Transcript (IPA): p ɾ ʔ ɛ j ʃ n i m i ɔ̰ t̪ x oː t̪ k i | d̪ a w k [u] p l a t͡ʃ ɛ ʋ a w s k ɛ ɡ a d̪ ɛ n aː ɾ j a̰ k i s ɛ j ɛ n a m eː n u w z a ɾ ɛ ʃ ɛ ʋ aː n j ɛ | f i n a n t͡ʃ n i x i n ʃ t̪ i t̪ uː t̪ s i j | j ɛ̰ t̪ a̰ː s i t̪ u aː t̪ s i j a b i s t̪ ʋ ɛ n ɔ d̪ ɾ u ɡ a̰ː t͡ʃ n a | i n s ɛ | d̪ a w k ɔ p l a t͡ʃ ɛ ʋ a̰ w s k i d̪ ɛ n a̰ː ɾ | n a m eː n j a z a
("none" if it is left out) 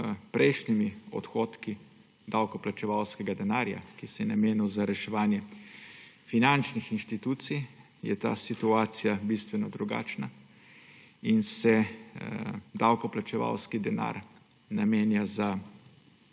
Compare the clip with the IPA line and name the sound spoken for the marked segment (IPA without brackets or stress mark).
ɔ